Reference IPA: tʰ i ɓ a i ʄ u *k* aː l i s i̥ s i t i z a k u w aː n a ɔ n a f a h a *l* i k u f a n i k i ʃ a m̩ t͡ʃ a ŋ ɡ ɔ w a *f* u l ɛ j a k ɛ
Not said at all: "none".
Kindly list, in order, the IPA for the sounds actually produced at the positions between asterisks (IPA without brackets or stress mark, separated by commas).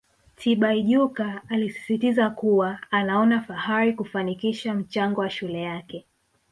k, ɾ, ʃ